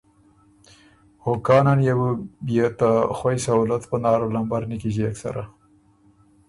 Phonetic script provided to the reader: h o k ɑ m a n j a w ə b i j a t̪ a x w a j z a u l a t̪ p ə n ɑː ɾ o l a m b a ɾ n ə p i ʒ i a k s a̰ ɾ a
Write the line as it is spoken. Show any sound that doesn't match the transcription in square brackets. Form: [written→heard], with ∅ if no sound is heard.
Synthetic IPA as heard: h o k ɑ [m→n] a n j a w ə b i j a t̪ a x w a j [z→s] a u l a t̪ p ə n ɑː ɾ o l a m b a ɾ n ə [p→k] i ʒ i a k s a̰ ɾ a